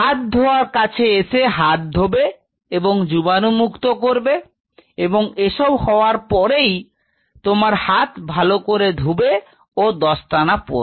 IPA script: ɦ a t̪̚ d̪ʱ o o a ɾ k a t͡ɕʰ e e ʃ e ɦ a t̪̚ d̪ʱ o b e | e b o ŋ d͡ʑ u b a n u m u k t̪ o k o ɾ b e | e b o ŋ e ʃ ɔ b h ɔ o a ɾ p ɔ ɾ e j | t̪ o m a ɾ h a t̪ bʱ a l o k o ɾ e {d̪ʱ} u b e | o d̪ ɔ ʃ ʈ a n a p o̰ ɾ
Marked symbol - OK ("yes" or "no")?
yes